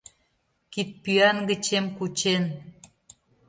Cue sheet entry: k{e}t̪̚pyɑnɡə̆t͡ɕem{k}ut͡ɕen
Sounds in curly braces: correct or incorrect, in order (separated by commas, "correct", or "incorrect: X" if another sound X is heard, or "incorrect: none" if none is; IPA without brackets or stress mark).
incorrect: i, correct